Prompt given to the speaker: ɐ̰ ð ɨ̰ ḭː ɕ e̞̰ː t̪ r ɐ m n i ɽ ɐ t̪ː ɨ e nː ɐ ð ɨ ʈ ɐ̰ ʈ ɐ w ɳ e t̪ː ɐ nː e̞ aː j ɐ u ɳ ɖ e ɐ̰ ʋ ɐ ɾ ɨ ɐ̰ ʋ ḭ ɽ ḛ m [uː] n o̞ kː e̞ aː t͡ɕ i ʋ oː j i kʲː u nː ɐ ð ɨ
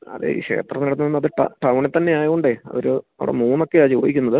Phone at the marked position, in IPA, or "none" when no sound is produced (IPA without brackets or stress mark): uː